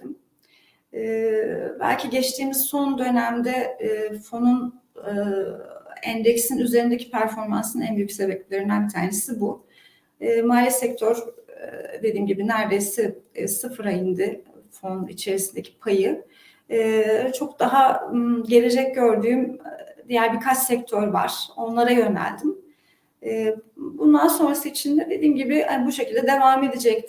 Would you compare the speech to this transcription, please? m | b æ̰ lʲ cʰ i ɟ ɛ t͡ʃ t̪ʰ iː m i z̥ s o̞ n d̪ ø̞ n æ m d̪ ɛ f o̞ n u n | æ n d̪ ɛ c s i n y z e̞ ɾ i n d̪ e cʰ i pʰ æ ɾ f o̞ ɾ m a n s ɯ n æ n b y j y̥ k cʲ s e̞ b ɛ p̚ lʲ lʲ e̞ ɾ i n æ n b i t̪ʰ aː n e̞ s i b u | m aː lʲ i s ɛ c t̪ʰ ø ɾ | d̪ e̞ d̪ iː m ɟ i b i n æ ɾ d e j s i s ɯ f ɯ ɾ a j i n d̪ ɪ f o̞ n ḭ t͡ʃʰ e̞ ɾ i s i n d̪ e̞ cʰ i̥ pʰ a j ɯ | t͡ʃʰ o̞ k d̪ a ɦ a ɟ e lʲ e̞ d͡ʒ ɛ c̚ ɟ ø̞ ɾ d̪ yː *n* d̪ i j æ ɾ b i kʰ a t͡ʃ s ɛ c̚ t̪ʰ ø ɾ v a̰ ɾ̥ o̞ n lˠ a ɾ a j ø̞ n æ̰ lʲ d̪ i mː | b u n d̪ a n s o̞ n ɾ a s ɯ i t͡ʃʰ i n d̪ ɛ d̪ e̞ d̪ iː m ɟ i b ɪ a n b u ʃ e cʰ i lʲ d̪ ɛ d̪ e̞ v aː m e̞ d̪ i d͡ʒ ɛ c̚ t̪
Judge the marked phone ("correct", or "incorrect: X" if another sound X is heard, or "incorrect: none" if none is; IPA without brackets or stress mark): incorrect: m